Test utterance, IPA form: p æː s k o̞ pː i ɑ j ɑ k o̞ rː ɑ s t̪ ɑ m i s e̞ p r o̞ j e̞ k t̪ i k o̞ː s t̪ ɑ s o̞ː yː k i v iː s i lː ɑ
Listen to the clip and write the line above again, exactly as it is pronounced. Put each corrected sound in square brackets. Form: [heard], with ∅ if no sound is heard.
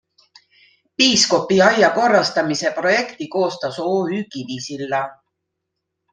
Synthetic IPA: p [iː] s k o̞ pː i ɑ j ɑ k o̞ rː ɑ s t̪ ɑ m i s e̞ p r o̞ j e̞ k t̪ i k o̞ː s t̪ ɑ s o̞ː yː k i v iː s i lː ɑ